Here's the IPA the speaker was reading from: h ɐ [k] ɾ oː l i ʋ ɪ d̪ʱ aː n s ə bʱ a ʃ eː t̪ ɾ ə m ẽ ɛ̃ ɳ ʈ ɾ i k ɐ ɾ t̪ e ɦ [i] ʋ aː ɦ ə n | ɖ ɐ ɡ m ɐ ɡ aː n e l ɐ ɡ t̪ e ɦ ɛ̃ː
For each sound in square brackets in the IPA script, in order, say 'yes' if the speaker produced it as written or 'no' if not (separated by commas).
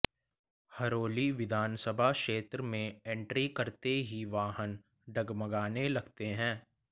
no, yes